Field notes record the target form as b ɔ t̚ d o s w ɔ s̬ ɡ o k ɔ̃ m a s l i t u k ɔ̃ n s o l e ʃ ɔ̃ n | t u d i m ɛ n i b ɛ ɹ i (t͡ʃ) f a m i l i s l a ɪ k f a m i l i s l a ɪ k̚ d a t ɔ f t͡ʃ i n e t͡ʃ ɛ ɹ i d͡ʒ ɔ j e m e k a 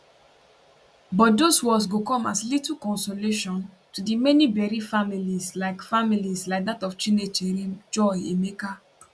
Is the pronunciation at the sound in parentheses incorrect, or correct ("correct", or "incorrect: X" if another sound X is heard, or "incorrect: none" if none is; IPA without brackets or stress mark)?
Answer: incorrect: none